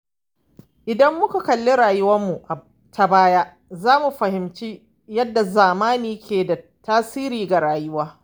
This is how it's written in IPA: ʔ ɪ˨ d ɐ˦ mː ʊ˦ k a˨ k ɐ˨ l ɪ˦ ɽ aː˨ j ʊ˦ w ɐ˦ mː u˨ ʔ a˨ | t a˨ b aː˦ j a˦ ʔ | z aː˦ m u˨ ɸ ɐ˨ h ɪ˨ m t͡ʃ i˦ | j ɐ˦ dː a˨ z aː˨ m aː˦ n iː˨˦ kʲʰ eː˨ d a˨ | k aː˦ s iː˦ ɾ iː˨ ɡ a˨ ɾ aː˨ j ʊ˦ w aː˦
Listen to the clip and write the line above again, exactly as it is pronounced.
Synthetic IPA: ʔ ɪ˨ d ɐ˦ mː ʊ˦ k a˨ k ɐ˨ lː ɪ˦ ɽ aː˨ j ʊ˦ w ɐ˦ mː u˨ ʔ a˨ | t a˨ b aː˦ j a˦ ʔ | z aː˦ m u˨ ɸ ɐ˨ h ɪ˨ m t͡ʃ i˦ | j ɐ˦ dː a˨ z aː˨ m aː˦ n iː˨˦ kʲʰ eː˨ d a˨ | t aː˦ s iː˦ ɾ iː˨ ɡ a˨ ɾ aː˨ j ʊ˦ w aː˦